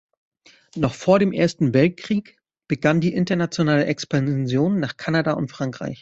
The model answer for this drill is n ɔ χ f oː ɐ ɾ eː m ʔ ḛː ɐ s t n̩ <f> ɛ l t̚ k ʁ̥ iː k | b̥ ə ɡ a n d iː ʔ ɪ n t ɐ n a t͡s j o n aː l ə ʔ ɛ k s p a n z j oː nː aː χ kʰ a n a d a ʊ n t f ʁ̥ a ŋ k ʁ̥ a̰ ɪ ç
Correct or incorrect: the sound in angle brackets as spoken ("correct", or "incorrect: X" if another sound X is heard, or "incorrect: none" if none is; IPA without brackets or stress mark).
incorrect: v